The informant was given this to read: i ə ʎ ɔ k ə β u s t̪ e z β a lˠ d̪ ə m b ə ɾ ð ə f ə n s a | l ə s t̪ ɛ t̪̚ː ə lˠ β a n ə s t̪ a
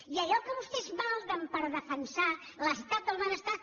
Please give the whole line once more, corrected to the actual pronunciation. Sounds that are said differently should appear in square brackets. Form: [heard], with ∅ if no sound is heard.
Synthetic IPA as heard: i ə ʎ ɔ k ə β u s t̪ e z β a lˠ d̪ ə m [p] ə ɾ ð ə f ə n s a | l ə s t̪ [a] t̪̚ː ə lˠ β a n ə s t̪ a

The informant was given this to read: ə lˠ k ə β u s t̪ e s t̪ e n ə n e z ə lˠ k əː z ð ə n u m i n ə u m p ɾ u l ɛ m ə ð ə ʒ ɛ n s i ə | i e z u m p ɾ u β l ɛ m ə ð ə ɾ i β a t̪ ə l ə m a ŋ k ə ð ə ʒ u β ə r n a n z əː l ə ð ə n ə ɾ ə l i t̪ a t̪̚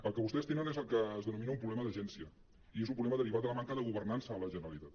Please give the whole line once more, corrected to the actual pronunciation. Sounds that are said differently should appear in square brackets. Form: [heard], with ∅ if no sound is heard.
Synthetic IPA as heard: ə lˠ k ə β u s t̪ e s t̪ e n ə n e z ə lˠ k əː z ð ə n u m i n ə u m p ɾ u l ɛ m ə ð ə ʒ ɛ n s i ə | i e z u m p ɾ u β l ɛ m ə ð ə ɾ i β a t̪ ə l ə m a ŋ k ə ð ə [ɣ] u β ə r n a n [s] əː l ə [ʒ] ə n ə ɾ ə l i t̪ a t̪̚

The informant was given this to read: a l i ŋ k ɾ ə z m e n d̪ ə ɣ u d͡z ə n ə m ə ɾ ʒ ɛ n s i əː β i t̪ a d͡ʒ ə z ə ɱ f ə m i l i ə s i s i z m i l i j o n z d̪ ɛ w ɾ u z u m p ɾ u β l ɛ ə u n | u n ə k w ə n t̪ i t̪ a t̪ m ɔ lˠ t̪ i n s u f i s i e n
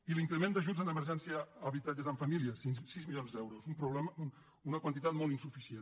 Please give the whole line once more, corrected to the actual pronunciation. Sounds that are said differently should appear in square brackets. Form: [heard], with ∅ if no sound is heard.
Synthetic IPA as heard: [i] l i ŋ k ɾ ə [∅] m e n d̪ ə [ʒ] u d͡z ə n ə m ə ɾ ʒ ɛ n s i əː β i t̪ a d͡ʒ ə z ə ɱ f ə m i l i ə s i s i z m i l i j o n z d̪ ɛ w ɾ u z u m p ɾ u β l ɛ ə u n | u n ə k w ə n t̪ i t̪ a t̪ m ɔ lˠ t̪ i n s u f i s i e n

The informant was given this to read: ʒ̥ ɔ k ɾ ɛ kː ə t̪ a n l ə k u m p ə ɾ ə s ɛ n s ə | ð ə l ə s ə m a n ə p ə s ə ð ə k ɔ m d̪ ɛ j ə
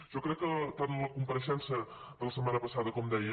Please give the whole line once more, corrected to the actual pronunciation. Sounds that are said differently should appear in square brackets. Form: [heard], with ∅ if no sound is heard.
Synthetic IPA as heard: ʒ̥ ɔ k ɾ ɛ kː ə t̪ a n l ə k u m p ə ɾ ə [ʃ] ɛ n s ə | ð ə l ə s ə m a n ə p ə s [a] ð ə k ɔ m d̪ ɛ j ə

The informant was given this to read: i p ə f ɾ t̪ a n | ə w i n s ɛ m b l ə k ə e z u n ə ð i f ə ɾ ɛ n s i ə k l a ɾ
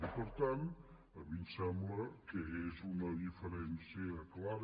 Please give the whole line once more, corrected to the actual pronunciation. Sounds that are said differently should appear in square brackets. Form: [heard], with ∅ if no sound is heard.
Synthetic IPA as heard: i p ə [∅] ɾ t̪ a n | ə [β] i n s ɛ m b l ə k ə e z u n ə ð i f ə ɾ ɛ n s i ə k l a ɾ

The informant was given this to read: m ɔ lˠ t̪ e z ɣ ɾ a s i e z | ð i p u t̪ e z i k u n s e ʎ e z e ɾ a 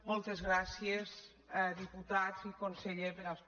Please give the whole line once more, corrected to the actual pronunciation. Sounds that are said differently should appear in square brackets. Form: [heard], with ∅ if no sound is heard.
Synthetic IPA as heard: m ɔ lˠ t̪ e z ɣ ɾ a s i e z | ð i p u t̪ [a] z i k [o] n s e ʎ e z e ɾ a

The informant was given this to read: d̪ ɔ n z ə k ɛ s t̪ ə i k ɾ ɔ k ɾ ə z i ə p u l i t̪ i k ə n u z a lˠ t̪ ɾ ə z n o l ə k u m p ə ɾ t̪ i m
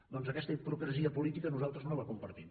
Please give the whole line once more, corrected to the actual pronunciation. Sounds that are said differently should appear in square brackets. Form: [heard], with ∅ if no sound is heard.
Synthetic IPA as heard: d̪ ɔ n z ə k ɛ s t̪ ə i [p] ɾ [u] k ɾ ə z i ə p u l i t̪ i k ə n u z a lˠ t̪ ɾ ə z n o l ə k u m p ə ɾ t̪ i m

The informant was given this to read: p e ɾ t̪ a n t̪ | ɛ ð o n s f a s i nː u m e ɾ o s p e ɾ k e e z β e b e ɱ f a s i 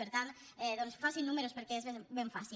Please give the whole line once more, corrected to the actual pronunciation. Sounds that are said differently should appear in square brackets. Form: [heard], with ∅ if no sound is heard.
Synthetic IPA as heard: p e ɾ t̪ a n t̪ | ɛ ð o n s f a s i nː u m e ɾ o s p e ɾ k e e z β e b e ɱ f a s i

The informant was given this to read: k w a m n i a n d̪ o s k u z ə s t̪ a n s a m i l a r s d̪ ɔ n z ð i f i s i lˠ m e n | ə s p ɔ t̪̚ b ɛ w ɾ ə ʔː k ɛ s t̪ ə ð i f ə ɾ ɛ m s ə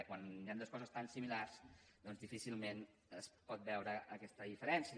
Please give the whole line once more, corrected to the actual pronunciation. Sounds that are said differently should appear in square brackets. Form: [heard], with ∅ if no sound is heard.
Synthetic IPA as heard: k w a [∅] n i a n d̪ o s k [ɔ] z ə s t̪ a n s [i] m i l a r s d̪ ɔ n z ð i f i s i lˠ m e n | ə s p ɔ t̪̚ b ɛ w ɾ ə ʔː k ɛ s t̪ ə ð i f ə ɾ ɛ [n] s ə

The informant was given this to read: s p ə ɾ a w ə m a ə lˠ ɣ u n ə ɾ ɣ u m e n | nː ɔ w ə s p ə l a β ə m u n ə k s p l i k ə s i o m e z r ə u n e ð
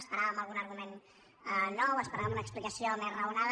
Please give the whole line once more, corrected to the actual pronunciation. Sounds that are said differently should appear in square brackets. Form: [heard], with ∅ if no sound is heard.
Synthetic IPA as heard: s p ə ɾ a [β] ə m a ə lˠ ɣ u n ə ɾ ɣ u m e n | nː ɔ w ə s p ə [ɾ] a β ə m u n ə k s p l i k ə s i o m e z r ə u n [a] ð

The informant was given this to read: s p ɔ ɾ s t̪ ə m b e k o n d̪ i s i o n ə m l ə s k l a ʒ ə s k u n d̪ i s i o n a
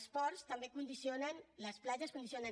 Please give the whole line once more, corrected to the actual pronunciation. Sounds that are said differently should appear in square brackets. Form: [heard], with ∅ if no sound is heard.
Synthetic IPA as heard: s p ɔ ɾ s t̪ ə m b e k [u] n d̪ i s i o n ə [n] l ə s [p] l a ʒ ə s k u n d̪ i s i o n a

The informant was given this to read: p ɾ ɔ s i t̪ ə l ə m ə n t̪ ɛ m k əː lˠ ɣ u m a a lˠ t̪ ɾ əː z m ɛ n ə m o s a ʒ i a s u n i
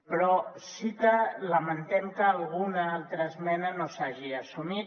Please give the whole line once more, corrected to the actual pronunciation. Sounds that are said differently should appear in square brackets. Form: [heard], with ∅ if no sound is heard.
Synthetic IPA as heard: p ɾ ɔ s i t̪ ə l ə m ə n t̪ ɛ m k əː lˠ ɣ u [n] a a lˠ t̪ ɾ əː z m ɛ n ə [n] o s a ʒ i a s u [m] i

